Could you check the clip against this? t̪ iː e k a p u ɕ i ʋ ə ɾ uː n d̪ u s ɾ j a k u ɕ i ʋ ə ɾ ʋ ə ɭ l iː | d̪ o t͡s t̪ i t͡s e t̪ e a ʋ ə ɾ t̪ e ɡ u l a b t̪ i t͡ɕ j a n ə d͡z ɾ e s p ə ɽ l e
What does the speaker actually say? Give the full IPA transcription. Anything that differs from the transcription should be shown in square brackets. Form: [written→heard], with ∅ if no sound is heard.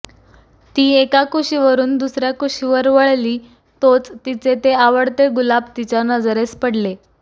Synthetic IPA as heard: t̪ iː e k a [p→k] u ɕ i ʋ ə ɾ uː n d̪ u s ɾ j a k u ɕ i ʋ ə ɾ ʋ ə ɭ l iː | [d̪→t̪] o t͡s t̪ i t͡s e t̪ e a ʋ ə [ɾ→ɽ] t̪ e ɡ u l a b t̪ i t͡ɕ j a n ə d͡z ɾ e s p ə ɽ l e